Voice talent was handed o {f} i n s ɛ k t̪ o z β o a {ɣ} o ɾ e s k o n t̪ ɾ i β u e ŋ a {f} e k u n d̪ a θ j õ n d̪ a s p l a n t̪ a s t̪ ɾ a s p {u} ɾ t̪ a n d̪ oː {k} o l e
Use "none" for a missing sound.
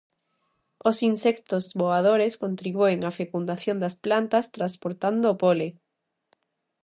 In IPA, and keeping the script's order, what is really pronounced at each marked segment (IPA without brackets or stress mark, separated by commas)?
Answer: s, ð, f, o, p